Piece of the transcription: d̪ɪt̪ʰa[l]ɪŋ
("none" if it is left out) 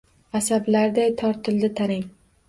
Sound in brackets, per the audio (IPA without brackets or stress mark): ɾ